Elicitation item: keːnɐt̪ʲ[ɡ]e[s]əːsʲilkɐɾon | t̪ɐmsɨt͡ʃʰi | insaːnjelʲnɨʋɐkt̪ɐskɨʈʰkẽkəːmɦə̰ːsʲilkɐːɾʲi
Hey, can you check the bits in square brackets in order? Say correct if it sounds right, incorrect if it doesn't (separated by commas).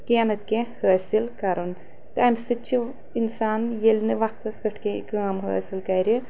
incorrect, incorrect